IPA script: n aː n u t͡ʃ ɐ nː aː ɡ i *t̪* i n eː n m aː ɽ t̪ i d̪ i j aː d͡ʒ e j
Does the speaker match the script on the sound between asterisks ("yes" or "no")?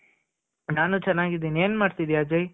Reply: no